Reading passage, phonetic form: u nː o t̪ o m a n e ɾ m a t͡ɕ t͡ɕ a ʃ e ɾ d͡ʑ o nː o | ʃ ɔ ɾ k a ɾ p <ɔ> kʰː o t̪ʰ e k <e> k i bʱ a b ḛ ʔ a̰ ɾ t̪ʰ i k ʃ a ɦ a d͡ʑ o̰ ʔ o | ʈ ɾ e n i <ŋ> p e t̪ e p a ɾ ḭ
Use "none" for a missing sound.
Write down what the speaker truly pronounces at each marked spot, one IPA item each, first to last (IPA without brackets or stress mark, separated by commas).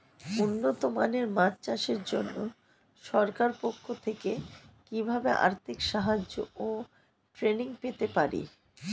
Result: o, e, ŋ